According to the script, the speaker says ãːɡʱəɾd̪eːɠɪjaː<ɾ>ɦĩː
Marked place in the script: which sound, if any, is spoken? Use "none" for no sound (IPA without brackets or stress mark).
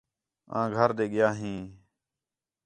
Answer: none